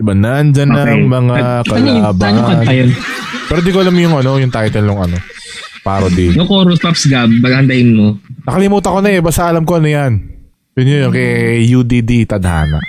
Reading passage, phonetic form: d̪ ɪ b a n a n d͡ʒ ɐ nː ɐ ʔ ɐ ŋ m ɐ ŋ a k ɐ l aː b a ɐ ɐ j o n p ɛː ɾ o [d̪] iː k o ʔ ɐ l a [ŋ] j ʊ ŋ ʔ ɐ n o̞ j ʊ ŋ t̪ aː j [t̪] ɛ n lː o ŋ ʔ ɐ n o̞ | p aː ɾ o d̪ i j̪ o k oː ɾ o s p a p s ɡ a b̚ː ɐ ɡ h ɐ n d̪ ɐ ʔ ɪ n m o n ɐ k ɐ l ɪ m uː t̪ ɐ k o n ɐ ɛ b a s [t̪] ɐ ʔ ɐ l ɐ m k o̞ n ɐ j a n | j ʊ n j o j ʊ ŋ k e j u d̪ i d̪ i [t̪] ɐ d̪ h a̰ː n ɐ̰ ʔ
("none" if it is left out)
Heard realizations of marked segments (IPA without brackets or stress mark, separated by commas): d̪, m, t̪, t̪, t̪